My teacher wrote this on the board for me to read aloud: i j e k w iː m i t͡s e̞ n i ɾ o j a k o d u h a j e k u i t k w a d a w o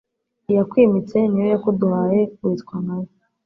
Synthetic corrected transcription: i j a k w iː m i t͡s e̞ n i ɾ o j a k o d u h a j e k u i t k w a n a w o